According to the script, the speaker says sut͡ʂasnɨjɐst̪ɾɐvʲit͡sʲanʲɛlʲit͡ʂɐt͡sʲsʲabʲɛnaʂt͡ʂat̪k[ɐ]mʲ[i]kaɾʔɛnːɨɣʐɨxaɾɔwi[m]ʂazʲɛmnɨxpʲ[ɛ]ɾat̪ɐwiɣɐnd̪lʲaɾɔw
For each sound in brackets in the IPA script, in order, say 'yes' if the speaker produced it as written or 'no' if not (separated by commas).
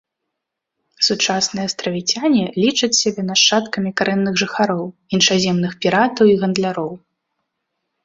yes, yes, no, no